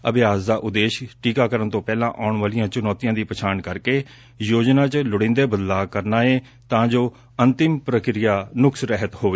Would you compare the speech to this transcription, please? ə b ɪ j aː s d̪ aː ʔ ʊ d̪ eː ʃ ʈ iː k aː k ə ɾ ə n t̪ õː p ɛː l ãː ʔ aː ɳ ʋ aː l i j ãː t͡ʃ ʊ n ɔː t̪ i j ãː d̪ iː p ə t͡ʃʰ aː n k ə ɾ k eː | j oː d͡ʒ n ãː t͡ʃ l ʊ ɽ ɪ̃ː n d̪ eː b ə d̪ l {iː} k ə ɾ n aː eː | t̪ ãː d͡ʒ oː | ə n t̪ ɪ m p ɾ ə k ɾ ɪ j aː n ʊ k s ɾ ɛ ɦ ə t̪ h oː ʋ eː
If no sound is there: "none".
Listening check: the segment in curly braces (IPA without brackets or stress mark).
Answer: aː